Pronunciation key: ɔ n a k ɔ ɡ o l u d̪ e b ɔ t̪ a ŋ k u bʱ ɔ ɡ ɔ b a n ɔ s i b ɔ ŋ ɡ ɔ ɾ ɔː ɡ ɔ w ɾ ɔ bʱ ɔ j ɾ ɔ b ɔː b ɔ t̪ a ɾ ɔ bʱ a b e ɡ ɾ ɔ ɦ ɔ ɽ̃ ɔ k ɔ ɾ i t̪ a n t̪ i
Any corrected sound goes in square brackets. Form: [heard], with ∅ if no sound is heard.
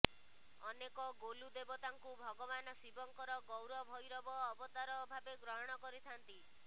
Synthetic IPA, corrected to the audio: ɔ n [e] k ɔ ɡ o l u d̪ e b ɔ t̪ a ŋ k u bʱ ɔ ɡ ɔ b a n ɔ s i b ɔ ŋ [k] ɔ ɾ [ɔ] ɡ ɔ w ɾ ɔ bʱ ɔ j ɾ ɔ b ɔː b ɔ t̪ a ɾ ɔ bʱ a b e ɡ ɾ ɔ ɦ ɔ ɽ̃ ɔ k ɔ ɾ i [t̪ʰ] a n t̪ i